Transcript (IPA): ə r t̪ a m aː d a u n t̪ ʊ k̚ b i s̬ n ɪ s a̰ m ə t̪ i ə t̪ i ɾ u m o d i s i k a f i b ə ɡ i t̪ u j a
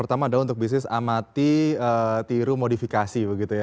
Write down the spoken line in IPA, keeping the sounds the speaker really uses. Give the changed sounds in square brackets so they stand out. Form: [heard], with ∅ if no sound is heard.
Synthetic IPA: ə r t̪ a m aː d a u n t̪ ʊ k̚ b i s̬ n ɪ s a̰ m [a] t̪ i ə t̪ i ɾ u m o d i [f] i k a [s] i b ə ɡ i t̪ u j a